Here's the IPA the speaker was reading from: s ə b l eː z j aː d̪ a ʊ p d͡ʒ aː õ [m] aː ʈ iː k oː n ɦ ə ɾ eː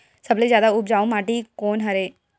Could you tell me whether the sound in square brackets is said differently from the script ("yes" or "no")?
no